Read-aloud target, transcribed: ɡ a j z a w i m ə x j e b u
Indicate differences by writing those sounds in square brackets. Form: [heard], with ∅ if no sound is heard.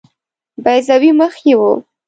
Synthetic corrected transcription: [b] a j z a w i m ə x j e [w] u